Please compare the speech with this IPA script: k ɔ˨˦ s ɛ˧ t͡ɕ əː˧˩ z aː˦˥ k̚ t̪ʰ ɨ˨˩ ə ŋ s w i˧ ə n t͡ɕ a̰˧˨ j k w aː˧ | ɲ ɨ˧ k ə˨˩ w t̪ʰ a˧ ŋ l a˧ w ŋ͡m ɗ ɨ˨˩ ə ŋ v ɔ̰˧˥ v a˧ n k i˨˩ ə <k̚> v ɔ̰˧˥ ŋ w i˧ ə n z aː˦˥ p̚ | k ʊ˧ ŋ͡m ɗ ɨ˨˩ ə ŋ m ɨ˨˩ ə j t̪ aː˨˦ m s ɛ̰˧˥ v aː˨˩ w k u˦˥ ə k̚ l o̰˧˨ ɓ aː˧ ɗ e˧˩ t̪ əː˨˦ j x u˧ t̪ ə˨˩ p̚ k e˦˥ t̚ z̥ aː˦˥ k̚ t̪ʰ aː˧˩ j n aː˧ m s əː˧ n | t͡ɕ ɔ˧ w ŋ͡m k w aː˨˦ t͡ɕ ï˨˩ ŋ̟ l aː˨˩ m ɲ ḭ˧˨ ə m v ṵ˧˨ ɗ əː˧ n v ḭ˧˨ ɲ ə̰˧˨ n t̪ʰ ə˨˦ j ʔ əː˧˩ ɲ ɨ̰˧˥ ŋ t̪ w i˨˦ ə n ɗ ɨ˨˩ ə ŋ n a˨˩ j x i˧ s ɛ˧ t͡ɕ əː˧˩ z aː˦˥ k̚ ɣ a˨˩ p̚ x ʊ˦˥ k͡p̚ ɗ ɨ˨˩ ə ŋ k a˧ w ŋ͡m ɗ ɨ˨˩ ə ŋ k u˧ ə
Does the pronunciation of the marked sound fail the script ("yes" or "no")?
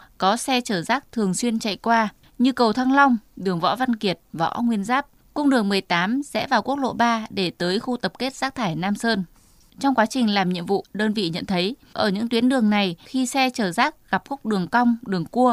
yes